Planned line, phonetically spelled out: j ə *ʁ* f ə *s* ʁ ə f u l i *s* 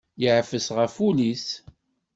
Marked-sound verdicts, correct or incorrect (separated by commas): incorrect, correct, correct